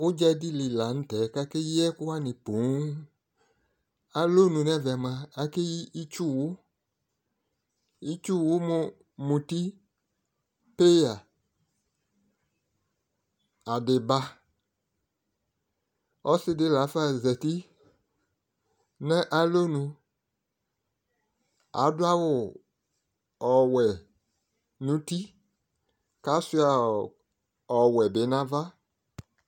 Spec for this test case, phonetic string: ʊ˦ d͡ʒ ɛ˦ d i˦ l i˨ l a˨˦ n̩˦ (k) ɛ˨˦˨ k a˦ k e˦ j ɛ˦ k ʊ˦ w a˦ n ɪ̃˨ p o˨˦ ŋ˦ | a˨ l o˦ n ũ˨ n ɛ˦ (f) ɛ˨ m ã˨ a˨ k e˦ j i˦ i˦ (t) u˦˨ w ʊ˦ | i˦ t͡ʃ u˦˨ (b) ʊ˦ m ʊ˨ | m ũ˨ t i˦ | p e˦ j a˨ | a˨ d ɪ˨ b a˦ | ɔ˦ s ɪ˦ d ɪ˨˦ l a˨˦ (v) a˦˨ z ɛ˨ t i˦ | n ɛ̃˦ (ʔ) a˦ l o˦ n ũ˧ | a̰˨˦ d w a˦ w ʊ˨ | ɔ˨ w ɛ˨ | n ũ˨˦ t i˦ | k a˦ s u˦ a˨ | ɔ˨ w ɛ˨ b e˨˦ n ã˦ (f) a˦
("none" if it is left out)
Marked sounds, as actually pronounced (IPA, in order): t, v, t͡ʃ, w, f, ʔ, v

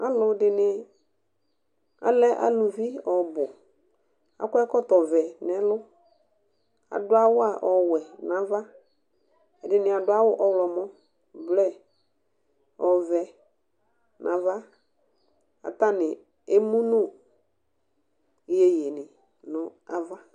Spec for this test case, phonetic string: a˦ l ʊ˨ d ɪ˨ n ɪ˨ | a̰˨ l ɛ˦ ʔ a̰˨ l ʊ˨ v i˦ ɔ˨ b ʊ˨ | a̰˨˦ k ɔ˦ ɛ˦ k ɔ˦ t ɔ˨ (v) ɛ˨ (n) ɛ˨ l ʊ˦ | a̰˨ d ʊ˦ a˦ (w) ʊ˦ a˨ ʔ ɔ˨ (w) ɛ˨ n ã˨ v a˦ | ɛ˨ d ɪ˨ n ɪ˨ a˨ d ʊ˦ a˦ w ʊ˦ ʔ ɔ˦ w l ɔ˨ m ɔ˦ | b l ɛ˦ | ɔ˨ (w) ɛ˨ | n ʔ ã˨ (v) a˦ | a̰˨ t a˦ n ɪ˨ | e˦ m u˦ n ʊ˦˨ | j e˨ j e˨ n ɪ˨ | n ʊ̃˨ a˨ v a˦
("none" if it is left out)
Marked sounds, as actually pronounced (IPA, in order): v, n, w, w, v, v

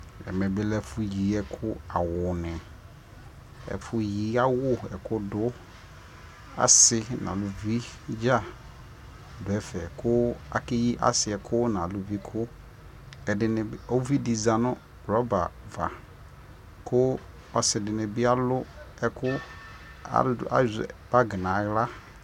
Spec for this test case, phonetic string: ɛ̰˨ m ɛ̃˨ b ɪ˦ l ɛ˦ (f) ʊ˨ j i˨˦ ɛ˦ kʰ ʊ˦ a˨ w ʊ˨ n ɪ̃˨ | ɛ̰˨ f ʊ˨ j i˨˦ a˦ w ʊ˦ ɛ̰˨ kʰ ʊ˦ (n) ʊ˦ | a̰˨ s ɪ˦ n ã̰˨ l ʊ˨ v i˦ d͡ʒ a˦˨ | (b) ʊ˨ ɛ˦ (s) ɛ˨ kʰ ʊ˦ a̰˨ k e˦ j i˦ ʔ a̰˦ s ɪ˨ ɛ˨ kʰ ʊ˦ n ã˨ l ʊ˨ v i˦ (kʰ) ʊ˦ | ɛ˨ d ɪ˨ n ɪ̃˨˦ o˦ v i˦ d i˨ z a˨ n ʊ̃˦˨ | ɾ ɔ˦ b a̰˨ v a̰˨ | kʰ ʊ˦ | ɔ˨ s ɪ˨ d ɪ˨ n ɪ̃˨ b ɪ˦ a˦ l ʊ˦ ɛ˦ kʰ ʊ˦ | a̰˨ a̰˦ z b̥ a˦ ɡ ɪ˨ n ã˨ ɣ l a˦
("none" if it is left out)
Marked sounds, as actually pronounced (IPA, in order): f, d, d, f, kʰ

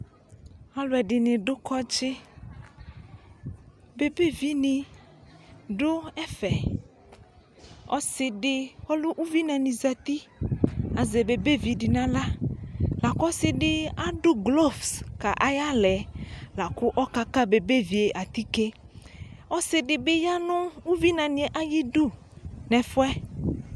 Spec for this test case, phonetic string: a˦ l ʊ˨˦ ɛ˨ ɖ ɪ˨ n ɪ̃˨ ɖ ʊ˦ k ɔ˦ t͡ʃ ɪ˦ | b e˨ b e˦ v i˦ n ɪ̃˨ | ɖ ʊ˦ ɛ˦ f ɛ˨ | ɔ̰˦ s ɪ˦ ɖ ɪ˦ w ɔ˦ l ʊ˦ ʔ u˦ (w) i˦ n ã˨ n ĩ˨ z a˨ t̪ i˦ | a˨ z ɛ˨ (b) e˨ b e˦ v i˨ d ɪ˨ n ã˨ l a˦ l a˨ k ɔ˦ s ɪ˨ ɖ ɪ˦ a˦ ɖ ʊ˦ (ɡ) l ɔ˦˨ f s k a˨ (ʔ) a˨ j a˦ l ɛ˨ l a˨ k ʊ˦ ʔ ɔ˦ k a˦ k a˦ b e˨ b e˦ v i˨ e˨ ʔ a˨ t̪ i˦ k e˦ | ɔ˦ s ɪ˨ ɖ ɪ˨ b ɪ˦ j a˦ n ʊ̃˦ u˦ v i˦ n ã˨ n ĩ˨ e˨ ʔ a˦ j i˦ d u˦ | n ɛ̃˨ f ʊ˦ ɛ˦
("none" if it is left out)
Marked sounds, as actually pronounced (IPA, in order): v, b, ɡ, ʔ

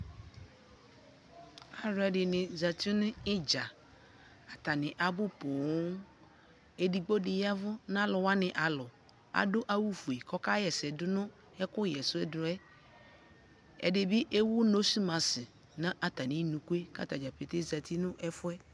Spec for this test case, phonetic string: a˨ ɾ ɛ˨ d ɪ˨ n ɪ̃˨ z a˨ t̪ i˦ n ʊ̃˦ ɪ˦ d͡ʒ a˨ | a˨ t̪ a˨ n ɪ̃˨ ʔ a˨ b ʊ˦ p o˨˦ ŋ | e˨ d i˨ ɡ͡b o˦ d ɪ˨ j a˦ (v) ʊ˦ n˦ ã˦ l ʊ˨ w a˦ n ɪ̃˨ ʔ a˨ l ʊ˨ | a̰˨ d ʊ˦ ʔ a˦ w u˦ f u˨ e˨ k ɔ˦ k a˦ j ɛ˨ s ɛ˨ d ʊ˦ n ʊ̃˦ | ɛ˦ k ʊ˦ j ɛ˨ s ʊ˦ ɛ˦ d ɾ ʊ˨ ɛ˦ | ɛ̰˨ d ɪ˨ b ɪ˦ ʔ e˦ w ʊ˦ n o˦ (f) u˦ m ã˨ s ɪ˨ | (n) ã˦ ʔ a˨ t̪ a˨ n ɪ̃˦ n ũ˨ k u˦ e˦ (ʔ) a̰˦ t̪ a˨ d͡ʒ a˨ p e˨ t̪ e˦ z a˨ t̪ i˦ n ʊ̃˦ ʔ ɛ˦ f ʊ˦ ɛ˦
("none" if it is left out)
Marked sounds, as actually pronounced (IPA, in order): v, s, n, k

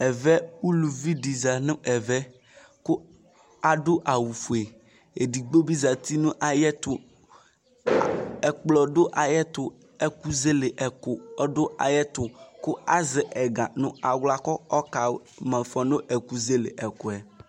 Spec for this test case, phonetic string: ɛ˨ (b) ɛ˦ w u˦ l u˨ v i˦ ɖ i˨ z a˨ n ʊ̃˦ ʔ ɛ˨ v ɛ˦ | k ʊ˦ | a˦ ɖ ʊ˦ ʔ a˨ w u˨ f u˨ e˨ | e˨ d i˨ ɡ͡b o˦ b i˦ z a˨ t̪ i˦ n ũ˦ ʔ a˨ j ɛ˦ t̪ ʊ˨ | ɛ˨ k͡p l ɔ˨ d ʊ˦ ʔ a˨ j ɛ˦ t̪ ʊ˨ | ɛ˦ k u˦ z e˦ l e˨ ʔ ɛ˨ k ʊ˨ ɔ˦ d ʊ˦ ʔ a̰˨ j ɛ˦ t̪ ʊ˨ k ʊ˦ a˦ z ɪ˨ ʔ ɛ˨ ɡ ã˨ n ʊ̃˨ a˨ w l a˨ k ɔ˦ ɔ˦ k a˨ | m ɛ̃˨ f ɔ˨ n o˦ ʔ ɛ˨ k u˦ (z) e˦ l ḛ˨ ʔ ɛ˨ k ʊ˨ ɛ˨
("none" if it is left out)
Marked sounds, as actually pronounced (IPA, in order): v, z

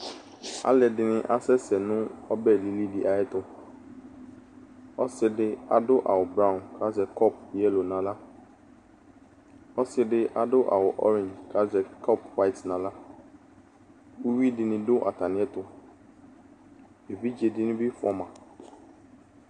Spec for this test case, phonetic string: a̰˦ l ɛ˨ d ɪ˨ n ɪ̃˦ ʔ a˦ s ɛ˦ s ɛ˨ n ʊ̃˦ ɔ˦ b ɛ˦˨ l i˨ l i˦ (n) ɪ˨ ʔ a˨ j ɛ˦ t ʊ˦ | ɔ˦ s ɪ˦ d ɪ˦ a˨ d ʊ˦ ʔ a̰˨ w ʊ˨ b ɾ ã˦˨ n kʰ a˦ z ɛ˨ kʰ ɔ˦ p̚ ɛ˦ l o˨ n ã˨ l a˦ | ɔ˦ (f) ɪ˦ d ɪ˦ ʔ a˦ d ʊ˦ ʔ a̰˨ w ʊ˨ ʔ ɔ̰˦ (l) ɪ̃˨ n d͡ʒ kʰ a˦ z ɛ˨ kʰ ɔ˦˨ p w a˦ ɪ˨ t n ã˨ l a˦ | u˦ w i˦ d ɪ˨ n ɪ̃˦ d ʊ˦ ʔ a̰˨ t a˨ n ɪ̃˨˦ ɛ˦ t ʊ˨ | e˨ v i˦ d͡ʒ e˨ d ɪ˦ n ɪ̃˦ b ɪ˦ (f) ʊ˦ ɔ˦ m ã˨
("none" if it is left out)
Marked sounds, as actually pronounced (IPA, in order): d, s, ɾ, f

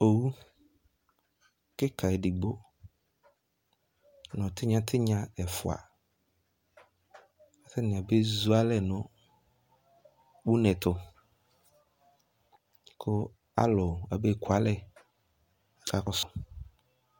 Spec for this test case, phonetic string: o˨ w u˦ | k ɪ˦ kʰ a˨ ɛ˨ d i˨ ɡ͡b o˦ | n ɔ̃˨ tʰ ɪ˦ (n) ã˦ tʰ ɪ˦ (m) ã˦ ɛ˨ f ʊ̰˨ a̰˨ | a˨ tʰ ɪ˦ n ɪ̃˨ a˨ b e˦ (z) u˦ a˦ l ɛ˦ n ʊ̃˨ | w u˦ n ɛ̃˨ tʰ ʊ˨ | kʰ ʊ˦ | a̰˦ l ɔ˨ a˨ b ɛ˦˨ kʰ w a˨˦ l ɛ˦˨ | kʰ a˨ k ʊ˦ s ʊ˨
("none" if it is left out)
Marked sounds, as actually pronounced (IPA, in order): ɲ, ɲ, z

